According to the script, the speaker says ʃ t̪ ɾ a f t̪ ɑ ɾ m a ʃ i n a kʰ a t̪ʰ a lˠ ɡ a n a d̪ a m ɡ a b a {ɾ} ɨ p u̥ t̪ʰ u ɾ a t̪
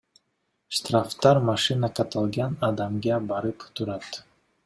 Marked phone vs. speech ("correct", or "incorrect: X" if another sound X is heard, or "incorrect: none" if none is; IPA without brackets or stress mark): correct